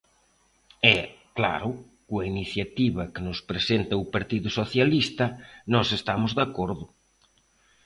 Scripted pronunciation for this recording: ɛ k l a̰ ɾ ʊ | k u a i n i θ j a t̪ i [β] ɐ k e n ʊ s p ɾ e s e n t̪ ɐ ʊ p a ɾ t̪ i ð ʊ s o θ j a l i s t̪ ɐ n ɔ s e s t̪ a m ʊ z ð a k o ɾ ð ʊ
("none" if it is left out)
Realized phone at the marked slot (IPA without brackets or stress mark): β